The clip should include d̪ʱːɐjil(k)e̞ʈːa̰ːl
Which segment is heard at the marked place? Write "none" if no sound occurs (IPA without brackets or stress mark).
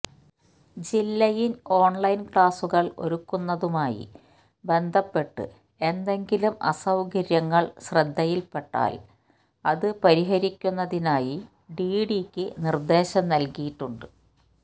p